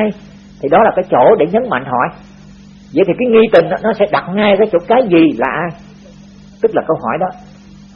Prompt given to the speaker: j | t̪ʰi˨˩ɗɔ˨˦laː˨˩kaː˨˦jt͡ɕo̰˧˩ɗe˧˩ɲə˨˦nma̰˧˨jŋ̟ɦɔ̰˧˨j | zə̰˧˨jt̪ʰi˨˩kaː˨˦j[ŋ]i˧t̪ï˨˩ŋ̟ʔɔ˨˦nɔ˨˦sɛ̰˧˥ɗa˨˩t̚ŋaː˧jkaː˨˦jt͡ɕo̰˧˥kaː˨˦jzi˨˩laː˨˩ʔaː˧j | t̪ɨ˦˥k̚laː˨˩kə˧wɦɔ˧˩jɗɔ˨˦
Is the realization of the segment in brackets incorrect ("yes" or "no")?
no